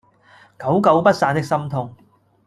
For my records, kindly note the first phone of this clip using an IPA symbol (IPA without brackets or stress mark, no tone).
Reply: k